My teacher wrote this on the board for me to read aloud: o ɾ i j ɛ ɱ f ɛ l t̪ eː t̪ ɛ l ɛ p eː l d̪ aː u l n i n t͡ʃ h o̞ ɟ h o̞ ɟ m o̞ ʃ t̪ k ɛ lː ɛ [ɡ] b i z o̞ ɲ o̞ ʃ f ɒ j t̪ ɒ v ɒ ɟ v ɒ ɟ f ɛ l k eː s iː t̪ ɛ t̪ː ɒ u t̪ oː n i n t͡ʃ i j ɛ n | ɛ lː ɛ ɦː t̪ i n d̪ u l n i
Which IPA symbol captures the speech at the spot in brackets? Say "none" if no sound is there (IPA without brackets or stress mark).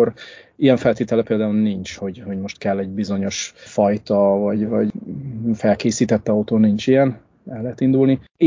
ɟ